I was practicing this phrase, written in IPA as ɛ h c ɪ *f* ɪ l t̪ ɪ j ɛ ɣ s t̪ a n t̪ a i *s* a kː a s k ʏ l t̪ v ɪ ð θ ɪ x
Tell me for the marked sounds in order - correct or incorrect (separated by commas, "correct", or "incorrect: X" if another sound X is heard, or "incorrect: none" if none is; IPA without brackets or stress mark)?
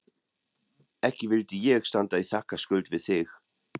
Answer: incorrect: v, incorrect: θ